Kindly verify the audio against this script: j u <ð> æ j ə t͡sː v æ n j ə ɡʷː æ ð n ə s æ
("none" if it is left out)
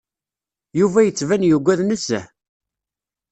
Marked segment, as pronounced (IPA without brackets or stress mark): v